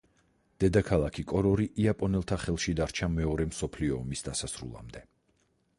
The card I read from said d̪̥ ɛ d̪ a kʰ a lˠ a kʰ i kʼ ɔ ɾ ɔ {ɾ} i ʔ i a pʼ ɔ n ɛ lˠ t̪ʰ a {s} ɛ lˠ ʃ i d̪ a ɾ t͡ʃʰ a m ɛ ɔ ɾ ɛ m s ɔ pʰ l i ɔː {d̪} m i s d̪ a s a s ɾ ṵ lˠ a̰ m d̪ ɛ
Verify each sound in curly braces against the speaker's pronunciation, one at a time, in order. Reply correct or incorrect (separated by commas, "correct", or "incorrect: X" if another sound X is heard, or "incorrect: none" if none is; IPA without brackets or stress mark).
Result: correct, incorrect: χ, incorrect: none